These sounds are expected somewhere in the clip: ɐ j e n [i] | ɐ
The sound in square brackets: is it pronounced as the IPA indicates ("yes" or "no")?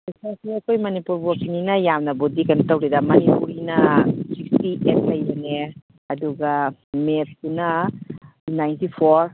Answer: no